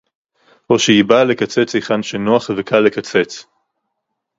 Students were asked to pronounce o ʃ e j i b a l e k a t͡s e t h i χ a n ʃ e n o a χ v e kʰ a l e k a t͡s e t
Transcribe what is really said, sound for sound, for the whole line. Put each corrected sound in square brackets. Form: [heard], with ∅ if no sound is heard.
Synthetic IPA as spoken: o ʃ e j i b a l e k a t͡s e [t͡s] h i χ a n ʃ e n o a χ v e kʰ a l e k a t͡s e [t͡s]